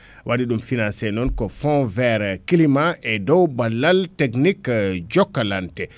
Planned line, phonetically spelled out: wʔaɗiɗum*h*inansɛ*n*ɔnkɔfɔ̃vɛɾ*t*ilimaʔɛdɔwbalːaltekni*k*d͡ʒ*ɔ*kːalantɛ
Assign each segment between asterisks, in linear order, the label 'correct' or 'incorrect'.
incorrect: f, correct, incorrect: k, correct, correct

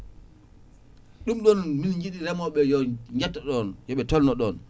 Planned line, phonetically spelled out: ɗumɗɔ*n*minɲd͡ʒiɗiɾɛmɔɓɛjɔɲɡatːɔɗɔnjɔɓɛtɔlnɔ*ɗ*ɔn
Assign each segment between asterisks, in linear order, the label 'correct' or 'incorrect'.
correct, correct

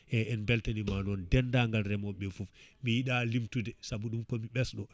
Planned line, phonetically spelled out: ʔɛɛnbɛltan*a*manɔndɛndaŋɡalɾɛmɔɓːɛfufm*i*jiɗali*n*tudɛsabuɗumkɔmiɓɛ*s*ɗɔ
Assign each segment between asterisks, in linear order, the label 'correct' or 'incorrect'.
incorrect: i, correct, incorrect: m, correct

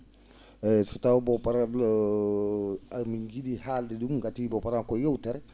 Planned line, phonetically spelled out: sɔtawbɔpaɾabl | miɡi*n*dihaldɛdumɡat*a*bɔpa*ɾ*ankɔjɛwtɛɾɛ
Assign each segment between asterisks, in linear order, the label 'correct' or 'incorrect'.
incorrect: none, incorrect: i, correct

